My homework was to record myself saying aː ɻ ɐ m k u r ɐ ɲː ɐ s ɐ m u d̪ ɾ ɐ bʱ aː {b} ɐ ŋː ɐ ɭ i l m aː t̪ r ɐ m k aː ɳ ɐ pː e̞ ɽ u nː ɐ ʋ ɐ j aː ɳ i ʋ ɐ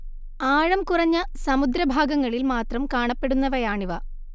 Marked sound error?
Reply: yes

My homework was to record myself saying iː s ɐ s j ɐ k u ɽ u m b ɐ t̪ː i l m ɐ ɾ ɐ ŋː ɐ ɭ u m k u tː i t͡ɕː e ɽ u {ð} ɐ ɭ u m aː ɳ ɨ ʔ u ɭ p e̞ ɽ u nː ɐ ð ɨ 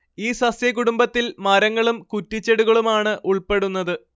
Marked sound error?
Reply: yes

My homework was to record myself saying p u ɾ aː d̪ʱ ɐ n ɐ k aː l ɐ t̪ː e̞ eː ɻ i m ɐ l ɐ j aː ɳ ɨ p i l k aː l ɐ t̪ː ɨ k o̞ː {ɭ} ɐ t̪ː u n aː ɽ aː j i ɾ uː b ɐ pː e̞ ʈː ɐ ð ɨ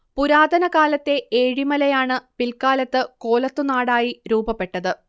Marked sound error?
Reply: yes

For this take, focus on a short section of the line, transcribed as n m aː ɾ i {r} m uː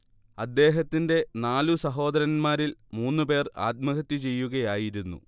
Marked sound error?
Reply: yes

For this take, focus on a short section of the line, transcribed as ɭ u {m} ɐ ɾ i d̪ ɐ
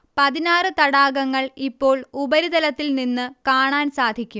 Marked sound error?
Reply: yes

